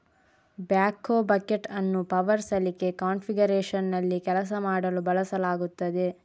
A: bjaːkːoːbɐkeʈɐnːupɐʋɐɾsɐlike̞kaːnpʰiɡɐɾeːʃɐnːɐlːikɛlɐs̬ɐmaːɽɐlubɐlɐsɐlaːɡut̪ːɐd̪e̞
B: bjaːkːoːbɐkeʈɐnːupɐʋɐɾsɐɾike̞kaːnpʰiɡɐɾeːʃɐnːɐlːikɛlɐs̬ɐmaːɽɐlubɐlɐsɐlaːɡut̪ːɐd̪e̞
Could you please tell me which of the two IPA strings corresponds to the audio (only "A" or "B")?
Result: A